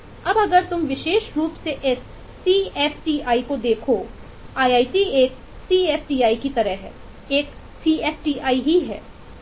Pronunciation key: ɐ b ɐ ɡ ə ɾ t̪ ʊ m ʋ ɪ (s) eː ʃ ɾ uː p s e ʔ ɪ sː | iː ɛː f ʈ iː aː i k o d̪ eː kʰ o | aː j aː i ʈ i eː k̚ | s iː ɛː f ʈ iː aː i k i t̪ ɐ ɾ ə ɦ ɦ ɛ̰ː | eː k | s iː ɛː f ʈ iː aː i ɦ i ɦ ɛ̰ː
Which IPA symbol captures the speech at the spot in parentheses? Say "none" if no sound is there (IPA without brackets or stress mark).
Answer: ʃ